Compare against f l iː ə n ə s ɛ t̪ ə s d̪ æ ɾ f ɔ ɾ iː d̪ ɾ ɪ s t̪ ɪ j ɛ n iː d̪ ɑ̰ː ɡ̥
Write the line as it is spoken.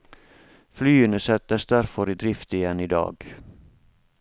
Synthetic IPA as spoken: f l yː ə n ə s ɛ t̪ ə s d̪ æ ɾ f ɔ ɾ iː d̪ ɾ ɪ f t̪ ɪ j ɛ n iː d̪ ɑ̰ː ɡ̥